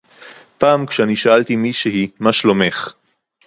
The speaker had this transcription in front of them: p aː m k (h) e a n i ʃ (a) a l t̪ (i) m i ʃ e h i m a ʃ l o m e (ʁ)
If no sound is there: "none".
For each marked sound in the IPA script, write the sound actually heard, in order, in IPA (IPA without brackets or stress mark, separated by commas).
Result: ʃ, a, i, χ